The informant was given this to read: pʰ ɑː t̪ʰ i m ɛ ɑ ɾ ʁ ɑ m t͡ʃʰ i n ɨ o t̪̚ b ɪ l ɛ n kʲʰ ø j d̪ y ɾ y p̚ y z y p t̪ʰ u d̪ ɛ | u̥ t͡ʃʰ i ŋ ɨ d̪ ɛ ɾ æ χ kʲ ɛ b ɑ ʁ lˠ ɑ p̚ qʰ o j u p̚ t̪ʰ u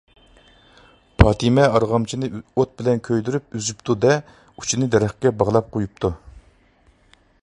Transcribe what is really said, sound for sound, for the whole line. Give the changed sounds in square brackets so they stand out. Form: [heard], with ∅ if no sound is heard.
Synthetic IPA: pʰ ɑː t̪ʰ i m ɛ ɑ ɾ ʁ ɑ m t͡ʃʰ i n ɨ o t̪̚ b ɪ l ɛ n kʲʰ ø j d̪ y ɾ y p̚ y z y p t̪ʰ u d̪ ɛ | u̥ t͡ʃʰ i [n] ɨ d̪ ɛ ɾ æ χ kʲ ɛ b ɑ ʁ lˠ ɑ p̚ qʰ o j u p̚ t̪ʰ u